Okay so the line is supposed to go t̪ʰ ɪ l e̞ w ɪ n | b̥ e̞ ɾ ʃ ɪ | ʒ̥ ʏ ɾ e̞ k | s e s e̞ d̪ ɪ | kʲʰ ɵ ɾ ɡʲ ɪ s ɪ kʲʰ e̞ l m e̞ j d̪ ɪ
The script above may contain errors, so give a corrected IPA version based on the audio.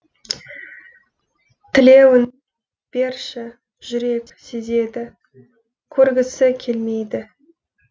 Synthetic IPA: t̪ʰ ɪ l e̞ w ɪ n | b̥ e̞ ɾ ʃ ɪ | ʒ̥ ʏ ɾ e̞ k | s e z e̞ d̪ ɪ | kʲʰ ɵ ɾ ɡʲ ɪ s ɪ kʲʰ e̞ l m e̞ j d̪ ɪ